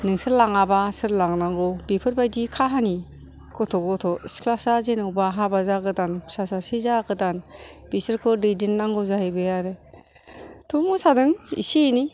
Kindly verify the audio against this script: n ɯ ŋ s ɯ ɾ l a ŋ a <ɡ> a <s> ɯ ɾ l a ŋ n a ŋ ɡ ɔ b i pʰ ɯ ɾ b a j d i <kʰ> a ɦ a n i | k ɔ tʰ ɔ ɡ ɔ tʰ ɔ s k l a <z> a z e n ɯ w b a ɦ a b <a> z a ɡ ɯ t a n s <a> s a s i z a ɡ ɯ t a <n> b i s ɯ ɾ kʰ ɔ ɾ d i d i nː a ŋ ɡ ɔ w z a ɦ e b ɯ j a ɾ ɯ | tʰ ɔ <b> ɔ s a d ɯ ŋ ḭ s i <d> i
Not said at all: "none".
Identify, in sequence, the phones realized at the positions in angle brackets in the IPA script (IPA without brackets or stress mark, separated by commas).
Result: b, s, kʰ, s, a, a, n, m, n